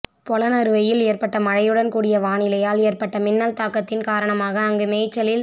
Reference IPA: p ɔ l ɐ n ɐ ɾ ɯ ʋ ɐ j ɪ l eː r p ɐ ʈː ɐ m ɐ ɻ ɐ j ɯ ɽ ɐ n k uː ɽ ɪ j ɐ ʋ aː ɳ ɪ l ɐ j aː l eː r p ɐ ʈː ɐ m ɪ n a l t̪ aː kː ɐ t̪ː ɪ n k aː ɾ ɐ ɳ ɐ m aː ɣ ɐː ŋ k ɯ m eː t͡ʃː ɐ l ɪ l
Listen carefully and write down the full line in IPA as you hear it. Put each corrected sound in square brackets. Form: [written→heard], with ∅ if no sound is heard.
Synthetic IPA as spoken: p ɔ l ɐ n ɐ ɾ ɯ ʋ ɐ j ɪ l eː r p ɐ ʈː ɐ m ɐ ɻ ɐ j ɯ ɽ ɐ n k uː ɽ ɪ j ɐ ʋ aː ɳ ɪ l ɐ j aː l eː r p ɐ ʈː ɐ m ɪ [n→nː] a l t̪ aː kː ɐ t̪ː ɪ n k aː ɾ ɐ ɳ ɐ m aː ɣ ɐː ŋ [k→ɡ] ɯ m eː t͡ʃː ɐ l ɪ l

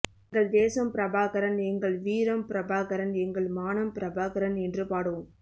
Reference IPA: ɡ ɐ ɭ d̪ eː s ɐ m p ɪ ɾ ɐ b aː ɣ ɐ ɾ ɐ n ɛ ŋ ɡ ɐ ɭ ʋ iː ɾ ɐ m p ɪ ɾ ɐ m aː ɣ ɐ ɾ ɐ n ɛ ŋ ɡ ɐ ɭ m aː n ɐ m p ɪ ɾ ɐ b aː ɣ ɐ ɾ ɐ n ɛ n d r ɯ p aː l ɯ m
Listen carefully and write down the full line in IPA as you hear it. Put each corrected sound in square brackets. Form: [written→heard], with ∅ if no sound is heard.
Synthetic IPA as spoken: ɡ ɐ ɭ d̪ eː s ɐ m p ɪ ɾ ɐ b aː ɣ ɐ ɾ ɐ n ɛ ŋ ɡ ɐ ɭ ʋ iː ɾ ɐ m p ɪ ɾ ɐ [m→b] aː ɣ ɐ ɾ ɐ n ɛ ŋ ɡ ɐ ɭ m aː n ɐ m p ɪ ɾ ɐ b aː ɣ ɐ ɾ ɐ n ɛ n d r ɯ p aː [l→ɽ] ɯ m

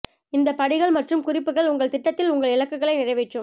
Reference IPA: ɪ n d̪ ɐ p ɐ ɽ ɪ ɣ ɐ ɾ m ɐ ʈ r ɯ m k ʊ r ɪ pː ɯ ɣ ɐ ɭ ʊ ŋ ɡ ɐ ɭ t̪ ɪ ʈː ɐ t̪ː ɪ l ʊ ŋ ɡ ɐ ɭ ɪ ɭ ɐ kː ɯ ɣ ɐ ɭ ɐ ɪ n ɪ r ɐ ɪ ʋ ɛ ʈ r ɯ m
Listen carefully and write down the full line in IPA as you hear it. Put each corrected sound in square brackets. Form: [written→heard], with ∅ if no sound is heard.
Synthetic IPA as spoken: ɪ n d̪ ɐ p ɐ ɽ ɪ ɣ ɐ [ɾ→ɭ] m ɐ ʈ r ɯ m k ʊ r ɪ pː ɯ ɣ ɐ ɭ ʊ ŋ ɡ ɐ ɭ t̪ ɪ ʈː ɐ t̪ː ɪ l ʊ ŋ ɡ ɐ ɭ ɪ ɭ ɐ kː ɯ ɣ ɐ ɭ ɐ ɪ n ɪ r ɐ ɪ ʋ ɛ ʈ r ɯ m

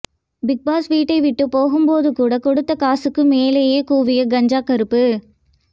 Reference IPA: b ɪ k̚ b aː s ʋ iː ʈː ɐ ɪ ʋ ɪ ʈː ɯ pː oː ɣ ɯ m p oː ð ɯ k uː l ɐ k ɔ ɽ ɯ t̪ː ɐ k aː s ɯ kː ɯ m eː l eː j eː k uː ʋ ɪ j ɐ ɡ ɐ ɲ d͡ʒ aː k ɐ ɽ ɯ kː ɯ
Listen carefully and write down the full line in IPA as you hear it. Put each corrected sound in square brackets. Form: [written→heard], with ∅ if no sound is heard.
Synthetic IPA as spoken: b ɪ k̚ b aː s ʋ iː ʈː ɐ ɪ ʋ ɪ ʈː ɯ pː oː ɣ ɯ m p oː ð ɯ k uː [l→ɽ] ɐ k ɔ ɽ ɯ t̪ː ɐ k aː s ɯ kː ɯ m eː l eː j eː k uː ʋ ɪ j ɐ ɡ ɐ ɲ d͡ʒ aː k ɐ [ɽ→ɾ] ɯ [kː→pː] ɯ

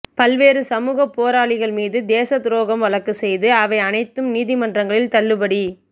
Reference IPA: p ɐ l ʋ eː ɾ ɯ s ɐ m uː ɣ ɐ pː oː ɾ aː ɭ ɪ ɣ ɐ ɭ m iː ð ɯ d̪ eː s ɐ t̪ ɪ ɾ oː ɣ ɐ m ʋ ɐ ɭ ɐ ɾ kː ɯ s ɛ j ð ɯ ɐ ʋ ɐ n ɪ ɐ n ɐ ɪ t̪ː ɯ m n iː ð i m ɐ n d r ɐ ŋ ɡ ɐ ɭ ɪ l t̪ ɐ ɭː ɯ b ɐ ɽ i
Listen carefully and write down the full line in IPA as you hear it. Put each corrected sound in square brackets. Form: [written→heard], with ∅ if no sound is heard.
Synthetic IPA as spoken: p ɐ l ʋ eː ɾ ɯ s ɐ m uː ɣ ɐ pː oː ɾ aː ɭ ɪ ɣ ɐ ɭ m iː ð ɯ d̪ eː s ɐ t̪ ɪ ɾ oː ɣ ɐ m ʋ ɐ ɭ ɐ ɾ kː ɯ s ɛ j ð ɯ ɐ ʋ ɐ [n→∅] ɪ ɐ n ɐ ɪ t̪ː ɯ m n iː ð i m ɐ n d r ɐ ŋ ɡ ɐ ɭ ɪ l t̪ ɐ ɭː ɯ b ɐ ɽ i

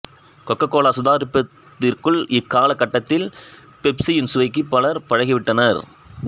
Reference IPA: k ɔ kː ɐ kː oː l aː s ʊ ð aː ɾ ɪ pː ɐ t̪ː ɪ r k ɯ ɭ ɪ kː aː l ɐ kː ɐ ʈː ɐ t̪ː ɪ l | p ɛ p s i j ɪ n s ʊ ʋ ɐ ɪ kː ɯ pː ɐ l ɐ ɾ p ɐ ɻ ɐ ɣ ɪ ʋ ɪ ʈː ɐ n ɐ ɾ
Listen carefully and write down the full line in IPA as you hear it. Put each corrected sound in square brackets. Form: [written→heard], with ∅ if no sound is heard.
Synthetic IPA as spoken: k ɔ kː ɐ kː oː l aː s ʊ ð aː ɾ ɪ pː ɐ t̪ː ɪ r k ɯ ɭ ɪ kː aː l ɐ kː ɐ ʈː ɐ t̪ː ɪ l | p ɛ p s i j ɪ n s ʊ ʋ ɐ ɪ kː ɯ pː ɐ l ɐ ɾ p ɐ ɻ ɐ ɣ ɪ ʋ ɪ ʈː ɐ n ɐ ɾ

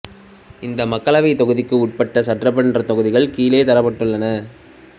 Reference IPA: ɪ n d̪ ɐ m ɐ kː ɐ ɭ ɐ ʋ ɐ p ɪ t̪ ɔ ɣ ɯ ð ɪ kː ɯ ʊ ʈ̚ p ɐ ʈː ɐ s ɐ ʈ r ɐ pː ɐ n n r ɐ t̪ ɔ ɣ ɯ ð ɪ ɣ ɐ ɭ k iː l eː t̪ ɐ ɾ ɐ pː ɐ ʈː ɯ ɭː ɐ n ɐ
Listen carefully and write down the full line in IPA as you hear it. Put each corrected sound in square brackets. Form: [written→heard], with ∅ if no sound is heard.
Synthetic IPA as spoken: ɪ n d̪ ɐ m ɐ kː ɐ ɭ ɐ ʋ ɐ [p→∅] ɪ t̪ ɔ ɣ ɯ ð ɪ kː ɯ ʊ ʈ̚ p ɐ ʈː ɐ s ɐ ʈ r ɐ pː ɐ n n r ɐ t̪ ɔ ɣ ɯ ð ɪ ɣ ɐ ɭ k iː l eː t̪ ɐ ɾ ɐ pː ɐ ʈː ɯ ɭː ɐ n ɐ

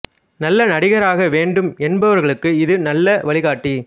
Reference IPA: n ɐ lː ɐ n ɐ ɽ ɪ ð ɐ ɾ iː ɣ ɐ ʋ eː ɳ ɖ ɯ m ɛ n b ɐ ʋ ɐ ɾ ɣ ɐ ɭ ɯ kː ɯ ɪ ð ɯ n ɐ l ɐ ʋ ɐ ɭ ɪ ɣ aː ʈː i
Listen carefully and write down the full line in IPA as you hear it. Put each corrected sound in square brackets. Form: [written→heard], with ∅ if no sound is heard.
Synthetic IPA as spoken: n ɐ lː ɐ n ɐ ɽ ɪ [ð→ɣ] ɐ ɾ [iː→aː] ɣ ɐ ʋ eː ɳ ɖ ɯ m ɛ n b ɐ ʋ ɐ ɾ ɣ ɐ ɭ ɯ kː ɯ ɪ ð ɯ n ɐ [l→lː] ɐ ʋ ɐ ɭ ɪ ɣ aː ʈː i

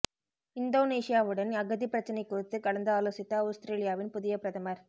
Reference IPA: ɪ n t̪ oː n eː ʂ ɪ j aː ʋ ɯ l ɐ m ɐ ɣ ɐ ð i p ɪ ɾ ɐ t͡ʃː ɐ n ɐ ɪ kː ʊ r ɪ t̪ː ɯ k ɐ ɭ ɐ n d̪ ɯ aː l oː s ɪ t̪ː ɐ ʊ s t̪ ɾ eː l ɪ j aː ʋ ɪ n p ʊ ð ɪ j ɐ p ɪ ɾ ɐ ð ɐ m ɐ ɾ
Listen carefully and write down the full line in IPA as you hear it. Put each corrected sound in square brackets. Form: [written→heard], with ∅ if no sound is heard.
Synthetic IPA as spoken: ɪ n [t̪→d̪] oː n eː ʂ ɪ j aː ʋ ɯ [l→ɽ] ɐ [m→n] ɐ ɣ ɐ ð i p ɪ ɾ ɐ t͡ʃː ɐ n ɐ ɪ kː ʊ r ɪ t̪ː ɯ k ɐ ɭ ɐ n d̪ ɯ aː l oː s ɪ t̪ː ɐ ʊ s t̪ ɾ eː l ɪ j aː ʋ ɪ n p ʊ ð ɪ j ɐ p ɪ ɾ ɐ ð ɐ m ɐ ɾ

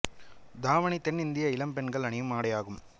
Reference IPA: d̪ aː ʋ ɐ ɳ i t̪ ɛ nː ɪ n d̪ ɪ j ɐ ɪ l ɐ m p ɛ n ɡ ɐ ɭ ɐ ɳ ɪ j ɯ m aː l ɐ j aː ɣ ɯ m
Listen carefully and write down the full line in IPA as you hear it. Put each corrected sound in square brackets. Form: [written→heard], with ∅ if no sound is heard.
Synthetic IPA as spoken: d̪ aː ʋ ɐ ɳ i t̪ ɛ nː ɪ n d̪ ɪ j ɐ ɪ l ɐ m p ɛ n ɡ ɐ ɭ ɐ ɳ ɪ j ɯ m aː [l→ɽ] ɐ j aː ɣ ɯ m

